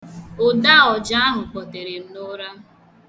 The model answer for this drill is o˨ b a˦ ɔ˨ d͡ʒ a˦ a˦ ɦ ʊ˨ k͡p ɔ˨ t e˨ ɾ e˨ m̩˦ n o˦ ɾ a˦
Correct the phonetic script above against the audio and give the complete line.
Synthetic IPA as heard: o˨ d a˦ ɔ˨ d͡ʒ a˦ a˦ ɦ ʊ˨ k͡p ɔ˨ t e˨ ɾ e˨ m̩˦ n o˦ ɾ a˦